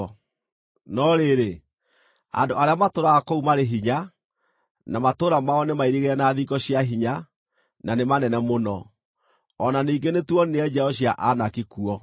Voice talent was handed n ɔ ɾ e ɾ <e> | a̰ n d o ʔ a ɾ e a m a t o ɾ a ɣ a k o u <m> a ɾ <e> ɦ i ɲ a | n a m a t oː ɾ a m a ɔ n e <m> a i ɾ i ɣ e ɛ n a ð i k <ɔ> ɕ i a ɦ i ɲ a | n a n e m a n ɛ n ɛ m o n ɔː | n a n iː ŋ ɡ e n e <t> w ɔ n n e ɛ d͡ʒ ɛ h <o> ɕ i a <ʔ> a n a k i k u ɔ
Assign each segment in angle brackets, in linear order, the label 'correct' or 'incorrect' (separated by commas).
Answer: correct, correct, correct, correct, correct, correct, incorrect, correct